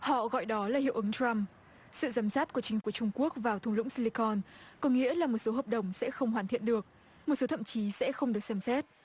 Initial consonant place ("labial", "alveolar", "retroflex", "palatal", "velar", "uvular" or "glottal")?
glottal